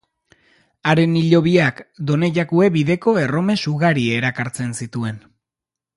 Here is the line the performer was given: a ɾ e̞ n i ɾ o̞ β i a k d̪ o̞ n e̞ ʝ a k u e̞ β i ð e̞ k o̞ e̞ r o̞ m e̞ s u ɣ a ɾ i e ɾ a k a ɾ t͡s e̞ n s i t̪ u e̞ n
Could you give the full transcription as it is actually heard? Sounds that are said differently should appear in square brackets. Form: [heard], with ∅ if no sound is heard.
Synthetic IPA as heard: a ɾ e̞ n i [ʎ] o̞ β i a k d̪ o̞ n e̞ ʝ a k u e̞ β i ð e̞ k o̞ e̞ r o̞ m e̞ s u ɣ a ɾ i e ɾ a k a ɾ t͡s e̞ n s i t̪ u e̞ n